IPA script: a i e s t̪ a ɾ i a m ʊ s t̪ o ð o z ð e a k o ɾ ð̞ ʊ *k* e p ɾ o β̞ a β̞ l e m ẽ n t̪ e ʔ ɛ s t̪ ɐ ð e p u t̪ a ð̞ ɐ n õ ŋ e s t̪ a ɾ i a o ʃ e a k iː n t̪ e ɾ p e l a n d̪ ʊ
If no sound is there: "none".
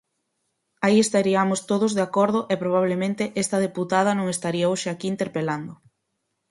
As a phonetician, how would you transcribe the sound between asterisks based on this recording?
ʔ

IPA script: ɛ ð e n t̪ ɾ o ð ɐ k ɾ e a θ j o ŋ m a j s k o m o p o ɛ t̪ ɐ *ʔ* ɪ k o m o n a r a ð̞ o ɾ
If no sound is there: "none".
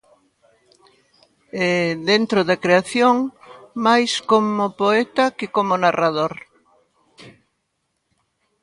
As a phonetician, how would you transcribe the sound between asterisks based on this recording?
k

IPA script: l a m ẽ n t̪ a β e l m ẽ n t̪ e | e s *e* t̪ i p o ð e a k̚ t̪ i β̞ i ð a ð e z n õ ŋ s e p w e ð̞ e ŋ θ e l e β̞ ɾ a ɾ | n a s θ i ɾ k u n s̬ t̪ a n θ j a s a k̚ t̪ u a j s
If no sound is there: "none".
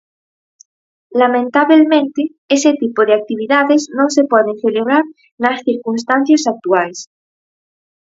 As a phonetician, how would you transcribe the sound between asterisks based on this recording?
e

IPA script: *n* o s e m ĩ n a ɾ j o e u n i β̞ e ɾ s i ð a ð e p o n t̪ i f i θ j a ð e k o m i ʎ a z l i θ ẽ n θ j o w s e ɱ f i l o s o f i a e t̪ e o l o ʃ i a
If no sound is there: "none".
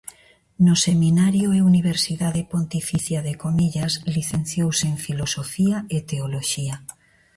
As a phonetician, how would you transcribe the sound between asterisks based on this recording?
n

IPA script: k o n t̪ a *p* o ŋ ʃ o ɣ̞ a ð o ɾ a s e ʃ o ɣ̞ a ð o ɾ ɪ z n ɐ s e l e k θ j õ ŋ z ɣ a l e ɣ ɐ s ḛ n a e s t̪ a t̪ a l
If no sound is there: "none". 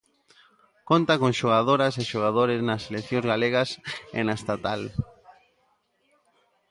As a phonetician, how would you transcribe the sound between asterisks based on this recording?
k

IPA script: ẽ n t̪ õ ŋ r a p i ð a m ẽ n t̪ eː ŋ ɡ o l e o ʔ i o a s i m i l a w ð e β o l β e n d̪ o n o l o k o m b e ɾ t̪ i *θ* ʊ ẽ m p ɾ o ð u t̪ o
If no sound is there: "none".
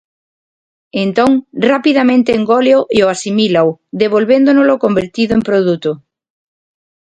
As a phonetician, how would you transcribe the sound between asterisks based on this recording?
ð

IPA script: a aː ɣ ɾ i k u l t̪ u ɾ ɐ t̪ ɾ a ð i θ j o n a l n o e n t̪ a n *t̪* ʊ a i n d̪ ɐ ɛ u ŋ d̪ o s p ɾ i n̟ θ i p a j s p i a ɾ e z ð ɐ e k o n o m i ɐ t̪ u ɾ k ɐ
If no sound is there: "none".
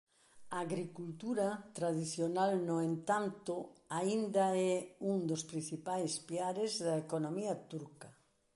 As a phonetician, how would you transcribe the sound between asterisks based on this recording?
t̪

